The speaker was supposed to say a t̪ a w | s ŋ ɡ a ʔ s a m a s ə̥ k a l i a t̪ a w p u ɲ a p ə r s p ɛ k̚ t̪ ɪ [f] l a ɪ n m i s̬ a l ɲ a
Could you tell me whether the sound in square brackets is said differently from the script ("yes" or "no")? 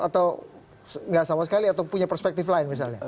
no